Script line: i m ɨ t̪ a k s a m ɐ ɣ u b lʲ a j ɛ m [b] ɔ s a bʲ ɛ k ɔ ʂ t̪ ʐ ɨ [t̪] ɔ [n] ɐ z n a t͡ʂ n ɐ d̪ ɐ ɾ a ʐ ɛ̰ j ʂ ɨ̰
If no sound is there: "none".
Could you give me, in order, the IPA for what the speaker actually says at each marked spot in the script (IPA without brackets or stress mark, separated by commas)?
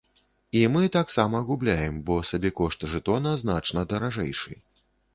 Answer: b, t̪, n